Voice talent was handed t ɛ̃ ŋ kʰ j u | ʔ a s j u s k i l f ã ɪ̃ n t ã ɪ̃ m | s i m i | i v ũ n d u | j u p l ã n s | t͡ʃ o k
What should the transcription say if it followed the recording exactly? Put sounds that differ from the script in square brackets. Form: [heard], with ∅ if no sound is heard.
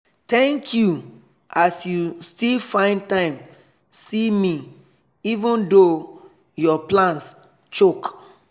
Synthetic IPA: t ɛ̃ ŋ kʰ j u | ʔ a s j u s [t] i l f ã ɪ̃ n t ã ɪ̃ m | s i m i | i v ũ n d [o] | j [ɔ] p l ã n s | t͡ʃ o k